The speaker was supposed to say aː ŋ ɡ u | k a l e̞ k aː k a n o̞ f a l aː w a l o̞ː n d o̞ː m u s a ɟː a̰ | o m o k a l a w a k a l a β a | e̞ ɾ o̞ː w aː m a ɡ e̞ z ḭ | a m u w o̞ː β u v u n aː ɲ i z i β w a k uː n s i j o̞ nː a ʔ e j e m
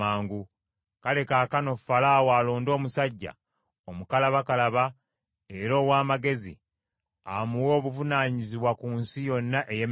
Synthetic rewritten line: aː ŋ ɡ u | k a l e̞ k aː k a n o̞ f a l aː w a l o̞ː n d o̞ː m u s a ɟː a̰ | o m u k a l a β a k a l a β a | e̞ ɾ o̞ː w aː m a ɡ e̞ z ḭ | a m u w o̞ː β u v u n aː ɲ i z i β w a k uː n s i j o̞ nː a ʔ e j e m